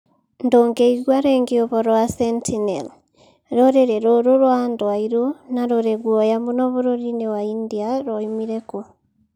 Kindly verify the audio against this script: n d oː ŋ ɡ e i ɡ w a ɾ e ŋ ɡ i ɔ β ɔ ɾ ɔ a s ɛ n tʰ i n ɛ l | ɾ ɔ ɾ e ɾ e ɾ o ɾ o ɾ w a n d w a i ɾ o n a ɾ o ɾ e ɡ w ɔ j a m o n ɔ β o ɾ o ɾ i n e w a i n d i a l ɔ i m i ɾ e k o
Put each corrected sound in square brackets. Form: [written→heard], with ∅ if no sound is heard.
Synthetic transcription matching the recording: n d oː ŋ ɡ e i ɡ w a ɾ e ŋ ɡ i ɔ β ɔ ɾ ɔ a s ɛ n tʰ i n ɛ l | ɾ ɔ ɾ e ɾ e ɾ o ɾ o ɾ w a n d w a i ɾ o n a ɾ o ɾ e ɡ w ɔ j a m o n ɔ β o ɾ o ɾ i n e w a i n d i a [l→ɾ] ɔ i m i ɾ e k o